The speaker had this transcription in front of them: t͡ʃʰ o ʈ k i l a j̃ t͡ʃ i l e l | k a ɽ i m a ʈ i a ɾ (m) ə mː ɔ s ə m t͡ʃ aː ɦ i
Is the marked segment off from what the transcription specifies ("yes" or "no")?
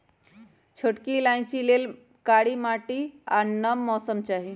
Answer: yes